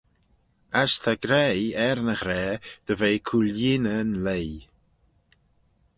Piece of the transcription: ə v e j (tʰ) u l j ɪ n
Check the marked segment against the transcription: incorrect: kʰ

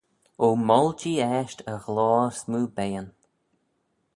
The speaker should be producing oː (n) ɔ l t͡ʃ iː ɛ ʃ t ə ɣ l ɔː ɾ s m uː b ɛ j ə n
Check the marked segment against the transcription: incorrect: m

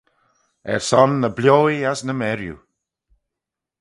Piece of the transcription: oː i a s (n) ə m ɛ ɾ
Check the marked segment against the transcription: correct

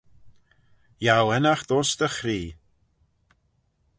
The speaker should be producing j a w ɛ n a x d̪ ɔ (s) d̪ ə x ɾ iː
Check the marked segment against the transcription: correct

